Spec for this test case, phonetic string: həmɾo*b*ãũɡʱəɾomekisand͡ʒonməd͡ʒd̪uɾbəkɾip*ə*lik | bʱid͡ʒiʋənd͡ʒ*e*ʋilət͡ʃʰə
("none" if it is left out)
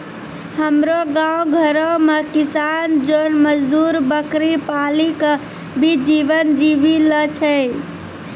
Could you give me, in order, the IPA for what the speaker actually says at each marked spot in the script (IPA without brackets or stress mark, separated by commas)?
ɡ, a, i